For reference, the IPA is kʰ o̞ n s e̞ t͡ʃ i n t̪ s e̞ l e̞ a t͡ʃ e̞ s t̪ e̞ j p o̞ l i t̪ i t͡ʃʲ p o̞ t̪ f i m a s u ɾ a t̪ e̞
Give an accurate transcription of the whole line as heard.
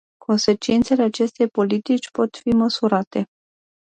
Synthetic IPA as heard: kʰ o̞ n s e̞ t͡ʃ i n t̪ s e̞ l e̞ a t͡ʃ e̞ s t̪ e̞ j p o̞ l i t̪ i t͡ʃʲ p o̞ t̪ f i m ə s u ɾ a t̪ e̞